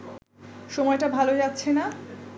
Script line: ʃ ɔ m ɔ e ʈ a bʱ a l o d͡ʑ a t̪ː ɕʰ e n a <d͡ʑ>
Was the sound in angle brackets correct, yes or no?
no